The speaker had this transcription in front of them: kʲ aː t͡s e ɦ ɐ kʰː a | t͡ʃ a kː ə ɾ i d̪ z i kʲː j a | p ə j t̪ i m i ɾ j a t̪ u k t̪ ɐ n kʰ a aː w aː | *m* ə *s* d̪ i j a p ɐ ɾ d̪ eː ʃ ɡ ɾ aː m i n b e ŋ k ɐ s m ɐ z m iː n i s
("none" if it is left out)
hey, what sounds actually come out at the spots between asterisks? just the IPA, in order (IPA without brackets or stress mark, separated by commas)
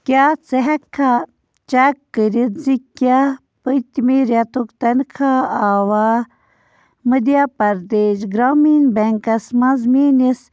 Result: m, none